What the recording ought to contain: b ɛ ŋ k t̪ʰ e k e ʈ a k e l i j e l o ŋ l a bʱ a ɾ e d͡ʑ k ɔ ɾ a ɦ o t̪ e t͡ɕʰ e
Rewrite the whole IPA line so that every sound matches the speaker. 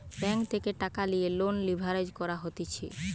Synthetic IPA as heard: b ɛ ŋ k t̪ʰ e k e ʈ a k a l i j e l o n l i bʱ a ɾ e d͡ʑ k ɔ ɾ a ɦ o t̪ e t͡ɕʰ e